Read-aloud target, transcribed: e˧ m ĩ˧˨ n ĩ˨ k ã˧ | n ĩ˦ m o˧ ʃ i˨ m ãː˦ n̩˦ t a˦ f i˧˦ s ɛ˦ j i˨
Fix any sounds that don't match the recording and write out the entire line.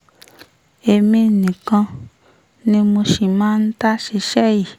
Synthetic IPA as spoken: e˧ m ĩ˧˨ n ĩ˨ k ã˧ | n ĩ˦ m o˧ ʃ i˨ m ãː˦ n̩˦ t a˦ ʃ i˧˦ ʃ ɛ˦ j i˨

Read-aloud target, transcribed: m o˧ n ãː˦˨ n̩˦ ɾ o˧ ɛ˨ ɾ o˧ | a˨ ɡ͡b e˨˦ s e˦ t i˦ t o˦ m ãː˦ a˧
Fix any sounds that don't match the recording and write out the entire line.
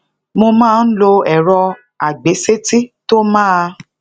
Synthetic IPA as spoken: m o˧ m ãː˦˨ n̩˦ l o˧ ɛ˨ ɾ ɔ˧ | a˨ ɡ͡b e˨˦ s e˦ t i˦ t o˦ m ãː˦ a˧

